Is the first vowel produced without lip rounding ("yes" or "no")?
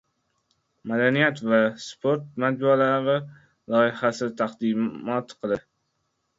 yes